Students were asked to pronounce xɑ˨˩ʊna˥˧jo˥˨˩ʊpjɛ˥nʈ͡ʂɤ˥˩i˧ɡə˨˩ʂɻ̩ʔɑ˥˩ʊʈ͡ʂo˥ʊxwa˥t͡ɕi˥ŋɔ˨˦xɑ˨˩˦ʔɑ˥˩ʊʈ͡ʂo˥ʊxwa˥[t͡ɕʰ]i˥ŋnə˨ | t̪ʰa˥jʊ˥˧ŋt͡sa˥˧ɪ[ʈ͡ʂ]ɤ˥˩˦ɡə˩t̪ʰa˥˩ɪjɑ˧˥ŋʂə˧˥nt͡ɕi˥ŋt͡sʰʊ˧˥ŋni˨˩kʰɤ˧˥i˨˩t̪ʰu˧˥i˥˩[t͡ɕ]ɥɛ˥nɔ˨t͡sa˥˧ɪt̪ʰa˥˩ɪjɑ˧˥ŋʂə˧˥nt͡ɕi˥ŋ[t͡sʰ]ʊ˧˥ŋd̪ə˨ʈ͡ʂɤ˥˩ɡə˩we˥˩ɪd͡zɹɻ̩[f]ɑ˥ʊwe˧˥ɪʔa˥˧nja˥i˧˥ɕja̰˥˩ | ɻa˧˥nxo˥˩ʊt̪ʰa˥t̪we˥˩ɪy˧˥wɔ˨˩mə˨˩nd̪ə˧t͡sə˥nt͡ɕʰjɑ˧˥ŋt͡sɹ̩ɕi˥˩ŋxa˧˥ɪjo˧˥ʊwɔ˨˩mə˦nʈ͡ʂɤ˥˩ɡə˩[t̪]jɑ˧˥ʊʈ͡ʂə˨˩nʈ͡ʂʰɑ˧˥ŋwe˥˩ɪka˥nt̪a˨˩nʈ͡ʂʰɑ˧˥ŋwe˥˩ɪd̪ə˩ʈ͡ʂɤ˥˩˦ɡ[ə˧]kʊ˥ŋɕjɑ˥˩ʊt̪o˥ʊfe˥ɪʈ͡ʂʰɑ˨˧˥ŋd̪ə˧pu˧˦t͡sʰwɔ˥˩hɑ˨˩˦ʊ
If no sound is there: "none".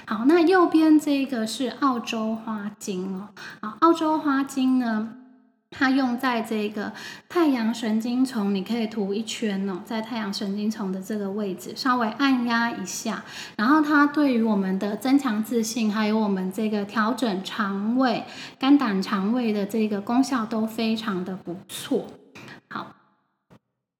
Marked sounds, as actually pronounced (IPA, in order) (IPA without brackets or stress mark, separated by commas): t͡ɕ, ʈ͡ʂ, t͡ɕʰ, t͡sʰ, ʂ, t̪ʰ, ə˩